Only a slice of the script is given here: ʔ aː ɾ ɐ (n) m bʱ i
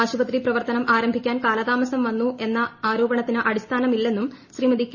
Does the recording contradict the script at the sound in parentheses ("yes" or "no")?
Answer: yes